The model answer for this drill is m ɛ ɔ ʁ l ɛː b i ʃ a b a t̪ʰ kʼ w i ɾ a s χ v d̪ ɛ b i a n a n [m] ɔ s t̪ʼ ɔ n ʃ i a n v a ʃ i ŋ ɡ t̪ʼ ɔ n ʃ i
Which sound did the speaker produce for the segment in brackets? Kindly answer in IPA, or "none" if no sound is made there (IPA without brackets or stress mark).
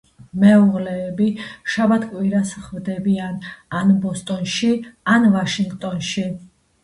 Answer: b